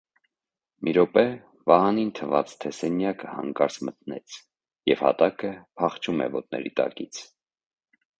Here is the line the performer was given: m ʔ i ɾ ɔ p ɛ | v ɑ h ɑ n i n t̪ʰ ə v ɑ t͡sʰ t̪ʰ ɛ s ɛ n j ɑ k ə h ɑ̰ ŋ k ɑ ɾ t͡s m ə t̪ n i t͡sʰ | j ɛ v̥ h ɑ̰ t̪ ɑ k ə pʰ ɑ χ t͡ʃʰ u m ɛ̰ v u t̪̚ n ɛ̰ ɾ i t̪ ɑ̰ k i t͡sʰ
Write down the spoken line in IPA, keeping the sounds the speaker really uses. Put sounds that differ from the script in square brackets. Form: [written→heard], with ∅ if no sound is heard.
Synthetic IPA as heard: m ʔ i ɾ ɔ p ɛ | v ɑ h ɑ n i n t̪ʰ ə v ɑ [t͡sʰ→t͡s] t̪ʰ ɛ s ɛ n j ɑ k ə h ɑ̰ ŋ k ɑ ɾ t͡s m ə t̪ n [i→ɛ] t͡sʰ | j ɛ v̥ h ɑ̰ t̪ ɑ k ə pʰ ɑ χ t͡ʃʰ u m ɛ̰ v [u→ɔ] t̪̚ n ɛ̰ ɾ i t̪ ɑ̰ k i t͡sʰ